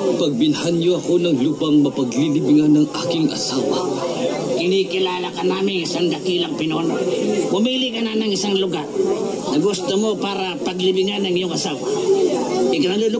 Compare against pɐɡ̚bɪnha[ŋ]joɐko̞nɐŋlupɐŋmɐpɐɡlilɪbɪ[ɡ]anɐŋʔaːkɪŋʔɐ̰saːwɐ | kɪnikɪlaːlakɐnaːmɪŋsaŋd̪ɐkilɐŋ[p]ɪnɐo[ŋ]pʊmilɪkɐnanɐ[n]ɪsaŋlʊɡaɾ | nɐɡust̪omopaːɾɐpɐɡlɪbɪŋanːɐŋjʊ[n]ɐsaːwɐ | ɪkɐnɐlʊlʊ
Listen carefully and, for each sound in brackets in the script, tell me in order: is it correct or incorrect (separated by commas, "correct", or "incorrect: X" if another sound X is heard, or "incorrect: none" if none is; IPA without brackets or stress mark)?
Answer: incorrect: n, incorrect: ŋ, correct, incorrect: n, incorrect: ŋ, incorrect: ŋ